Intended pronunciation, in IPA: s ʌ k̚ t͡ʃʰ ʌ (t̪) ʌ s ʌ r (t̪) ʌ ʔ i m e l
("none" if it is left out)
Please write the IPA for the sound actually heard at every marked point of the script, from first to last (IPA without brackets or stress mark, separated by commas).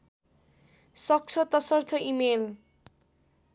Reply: t̪, t̪ʰ